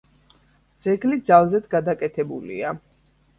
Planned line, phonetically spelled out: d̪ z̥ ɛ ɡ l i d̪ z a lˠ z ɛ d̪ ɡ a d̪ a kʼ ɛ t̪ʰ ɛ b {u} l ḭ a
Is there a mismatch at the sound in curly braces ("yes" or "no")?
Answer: no